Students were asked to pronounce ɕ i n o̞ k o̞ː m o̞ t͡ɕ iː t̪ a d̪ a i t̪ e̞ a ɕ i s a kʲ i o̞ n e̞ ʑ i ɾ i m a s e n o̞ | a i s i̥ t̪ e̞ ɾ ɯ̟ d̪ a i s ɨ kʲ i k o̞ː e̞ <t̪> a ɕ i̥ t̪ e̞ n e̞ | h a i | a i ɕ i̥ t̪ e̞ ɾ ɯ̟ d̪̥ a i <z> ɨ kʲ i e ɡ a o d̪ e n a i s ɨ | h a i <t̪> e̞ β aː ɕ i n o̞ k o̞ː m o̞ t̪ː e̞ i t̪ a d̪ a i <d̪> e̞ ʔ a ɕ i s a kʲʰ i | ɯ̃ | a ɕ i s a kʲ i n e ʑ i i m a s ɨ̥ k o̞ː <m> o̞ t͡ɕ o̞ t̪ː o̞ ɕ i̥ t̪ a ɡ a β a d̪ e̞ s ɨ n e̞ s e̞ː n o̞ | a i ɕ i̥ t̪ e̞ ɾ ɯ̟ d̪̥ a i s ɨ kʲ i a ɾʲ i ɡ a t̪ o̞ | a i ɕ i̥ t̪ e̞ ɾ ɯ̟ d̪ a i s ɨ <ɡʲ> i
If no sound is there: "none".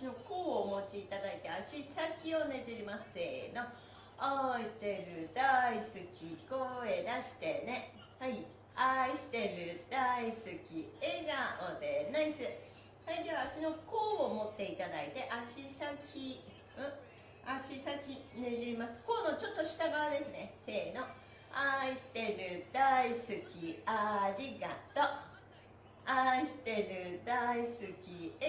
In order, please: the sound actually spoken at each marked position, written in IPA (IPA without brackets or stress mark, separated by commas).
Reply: d̪, s, d̪, t̪, n, kʲ